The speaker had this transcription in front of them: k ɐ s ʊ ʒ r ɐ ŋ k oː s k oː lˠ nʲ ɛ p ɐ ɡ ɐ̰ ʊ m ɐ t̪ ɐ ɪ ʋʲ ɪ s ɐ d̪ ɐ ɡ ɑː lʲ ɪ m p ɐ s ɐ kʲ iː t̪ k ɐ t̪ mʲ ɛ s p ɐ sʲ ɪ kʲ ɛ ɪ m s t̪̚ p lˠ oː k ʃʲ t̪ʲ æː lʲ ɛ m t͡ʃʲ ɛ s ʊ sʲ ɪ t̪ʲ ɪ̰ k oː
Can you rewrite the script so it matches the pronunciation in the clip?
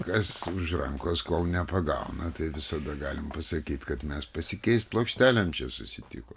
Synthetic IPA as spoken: k ɐ s ʊ ʒ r ɐ ŋ k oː s k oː lˠ nʲ ɛ p ɐ ɡ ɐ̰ ʊ n ɐ t̪ ɐ ɪ ʋʲ ɪ s ɐ d̪ ɐ ɡ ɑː lʲ ɪ m p ɐ s ɐ kʲ iː t̪ k ɐ t̪ mʲ ɛ s p ɐ sʲ ɪ kʲ ɛ ɪ s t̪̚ p lˠ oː k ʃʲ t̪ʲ æː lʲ ɛ m t͡ʃʲ ɛ s ʊ sʲ ɪ t̪ʲ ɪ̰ k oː